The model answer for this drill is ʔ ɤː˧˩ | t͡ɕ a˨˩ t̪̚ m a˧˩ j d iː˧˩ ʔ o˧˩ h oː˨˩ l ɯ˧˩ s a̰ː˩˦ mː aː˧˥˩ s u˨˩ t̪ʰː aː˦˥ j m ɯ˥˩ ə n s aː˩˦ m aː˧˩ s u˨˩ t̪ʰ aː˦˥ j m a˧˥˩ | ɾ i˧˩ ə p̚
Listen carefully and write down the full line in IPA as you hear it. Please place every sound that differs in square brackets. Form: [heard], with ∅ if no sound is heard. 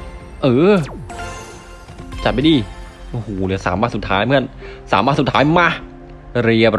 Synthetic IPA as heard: ʔ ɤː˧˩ | t͡ɕ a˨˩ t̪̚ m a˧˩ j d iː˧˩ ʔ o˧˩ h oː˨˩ l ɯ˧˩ s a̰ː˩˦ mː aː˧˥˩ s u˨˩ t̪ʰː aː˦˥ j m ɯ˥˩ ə n s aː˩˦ m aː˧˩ s u˨˩ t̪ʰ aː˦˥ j m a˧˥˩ | ɾ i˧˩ ə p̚